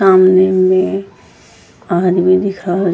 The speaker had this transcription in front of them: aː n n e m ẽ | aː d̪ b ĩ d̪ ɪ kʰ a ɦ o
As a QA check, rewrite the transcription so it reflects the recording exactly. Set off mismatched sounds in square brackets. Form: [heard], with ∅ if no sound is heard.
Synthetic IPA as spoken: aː [m] n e m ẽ | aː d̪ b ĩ d̪ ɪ kʰ a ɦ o